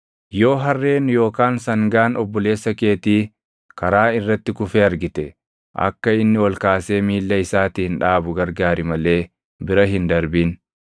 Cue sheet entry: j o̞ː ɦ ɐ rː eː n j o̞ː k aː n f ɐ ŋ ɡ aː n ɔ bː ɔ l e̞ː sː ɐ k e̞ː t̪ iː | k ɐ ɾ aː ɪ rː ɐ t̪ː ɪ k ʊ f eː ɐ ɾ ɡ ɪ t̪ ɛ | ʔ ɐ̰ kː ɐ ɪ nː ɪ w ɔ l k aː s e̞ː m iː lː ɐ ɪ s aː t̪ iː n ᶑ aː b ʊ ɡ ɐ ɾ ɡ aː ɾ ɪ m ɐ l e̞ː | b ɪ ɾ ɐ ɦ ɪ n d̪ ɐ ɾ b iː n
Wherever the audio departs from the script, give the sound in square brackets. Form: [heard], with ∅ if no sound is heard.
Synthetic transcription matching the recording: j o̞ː ɦ ɐ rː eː n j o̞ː k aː n [s] ɐ ŋ ɡ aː n ɔ bː ɔ l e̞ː sː ɐ k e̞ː t̪ iː | k ɐ ɾ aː ɪ rː ɐ t̪ː ɪ k ʊ f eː ɐ ɾ ɡ ɪ t̪ ɛ | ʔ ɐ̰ kː ɐ ɪ nː ɪ w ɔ l k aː s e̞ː m iː lː ɐ ɪ s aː t̪ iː n ᶑ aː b ʊ ɡ ɐ ɾ ɡ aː ɾ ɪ m ɐ l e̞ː | b ɪ ɾ ɐ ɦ ɪ n d̪ ɐ ɾ b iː n